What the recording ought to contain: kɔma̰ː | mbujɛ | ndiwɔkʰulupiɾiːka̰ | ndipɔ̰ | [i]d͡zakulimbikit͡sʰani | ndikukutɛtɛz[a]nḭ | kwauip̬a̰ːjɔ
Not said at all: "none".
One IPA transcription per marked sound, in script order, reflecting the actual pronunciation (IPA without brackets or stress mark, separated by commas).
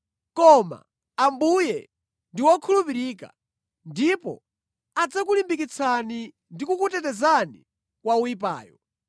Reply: a, a